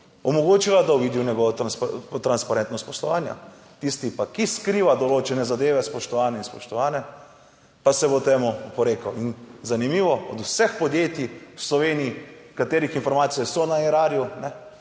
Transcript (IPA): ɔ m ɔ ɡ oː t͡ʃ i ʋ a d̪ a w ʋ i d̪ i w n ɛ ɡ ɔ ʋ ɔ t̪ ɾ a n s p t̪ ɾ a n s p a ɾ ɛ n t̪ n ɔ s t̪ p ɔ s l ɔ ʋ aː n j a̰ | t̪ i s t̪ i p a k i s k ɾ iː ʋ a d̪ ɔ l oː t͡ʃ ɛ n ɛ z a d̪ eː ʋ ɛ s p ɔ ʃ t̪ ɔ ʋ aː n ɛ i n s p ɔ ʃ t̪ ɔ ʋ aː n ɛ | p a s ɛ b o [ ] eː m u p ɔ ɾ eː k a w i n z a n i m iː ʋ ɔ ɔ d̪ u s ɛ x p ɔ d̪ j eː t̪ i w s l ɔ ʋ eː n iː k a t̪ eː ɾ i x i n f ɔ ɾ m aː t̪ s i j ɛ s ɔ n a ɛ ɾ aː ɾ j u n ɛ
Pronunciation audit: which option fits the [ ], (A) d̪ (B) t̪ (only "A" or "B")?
B